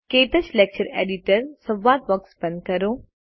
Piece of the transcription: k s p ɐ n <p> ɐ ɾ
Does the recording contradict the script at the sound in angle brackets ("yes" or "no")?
yes